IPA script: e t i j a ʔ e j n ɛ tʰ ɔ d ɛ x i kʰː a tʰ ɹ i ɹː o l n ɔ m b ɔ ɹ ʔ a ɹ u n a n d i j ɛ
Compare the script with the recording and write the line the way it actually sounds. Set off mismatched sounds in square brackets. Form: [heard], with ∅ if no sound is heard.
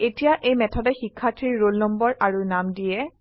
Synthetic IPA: e t i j a ʔ e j [m] ɛ tʰ ɔ d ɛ x i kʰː a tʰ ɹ i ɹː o l n ɔ m b ɔ ɹ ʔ a ɹ u n a [m] d i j ɛ